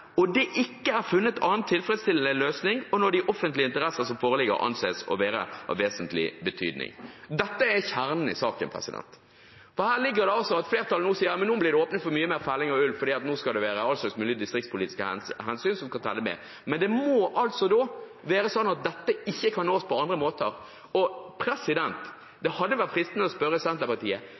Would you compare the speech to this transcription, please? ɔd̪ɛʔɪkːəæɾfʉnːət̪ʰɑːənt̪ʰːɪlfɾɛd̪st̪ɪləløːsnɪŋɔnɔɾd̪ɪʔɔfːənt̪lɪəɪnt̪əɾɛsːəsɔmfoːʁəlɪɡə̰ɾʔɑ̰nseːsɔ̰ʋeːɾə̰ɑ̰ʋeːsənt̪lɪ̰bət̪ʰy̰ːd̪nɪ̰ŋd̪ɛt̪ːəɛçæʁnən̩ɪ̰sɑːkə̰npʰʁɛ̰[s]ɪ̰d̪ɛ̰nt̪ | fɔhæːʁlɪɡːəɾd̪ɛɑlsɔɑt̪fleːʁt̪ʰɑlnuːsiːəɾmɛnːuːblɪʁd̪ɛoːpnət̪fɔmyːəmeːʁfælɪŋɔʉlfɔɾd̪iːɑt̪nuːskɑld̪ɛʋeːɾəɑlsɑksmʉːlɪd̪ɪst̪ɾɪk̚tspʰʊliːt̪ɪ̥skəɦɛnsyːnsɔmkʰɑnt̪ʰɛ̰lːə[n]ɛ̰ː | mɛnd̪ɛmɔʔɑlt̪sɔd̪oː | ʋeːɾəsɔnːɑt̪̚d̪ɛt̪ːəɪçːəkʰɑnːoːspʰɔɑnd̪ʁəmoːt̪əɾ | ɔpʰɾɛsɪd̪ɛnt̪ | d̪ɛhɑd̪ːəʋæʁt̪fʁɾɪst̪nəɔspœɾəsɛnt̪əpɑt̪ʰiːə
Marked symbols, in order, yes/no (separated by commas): yes, no